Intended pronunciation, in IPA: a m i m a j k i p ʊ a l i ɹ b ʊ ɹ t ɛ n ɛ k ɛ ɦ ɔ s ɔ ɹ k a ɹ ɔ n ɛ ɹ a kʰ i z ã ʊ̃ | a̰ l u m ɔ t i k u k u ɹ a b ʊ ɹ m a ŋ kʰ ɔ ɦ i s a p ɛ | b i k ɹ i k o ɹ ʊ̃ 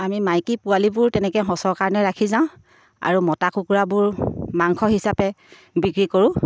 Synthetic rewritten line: a m i m a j k i p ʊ a l i b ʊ ɹ t ɛ n ɛ k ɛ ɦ ɔ s ɔ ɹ k a ɹ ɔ n ɛ ɹ a kʰ i z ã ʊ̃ | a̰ ɹ u m ɔ t a k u k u ɹ a b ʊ ɹ m a ŋ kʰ ɔ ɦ i s a p ɛ | b i k ɹ i k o ɹ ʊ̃